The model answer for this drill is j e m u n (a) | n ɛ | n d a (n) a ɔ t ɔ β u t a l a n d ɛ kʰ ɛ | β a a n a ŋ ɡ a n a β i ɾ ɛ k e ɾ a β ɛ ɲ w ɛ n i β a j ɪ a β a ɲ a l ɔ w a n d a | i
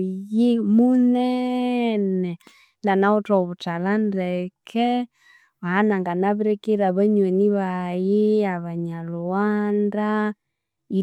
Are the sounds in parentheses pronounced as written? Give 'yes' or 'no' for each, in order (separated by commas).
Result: no, yes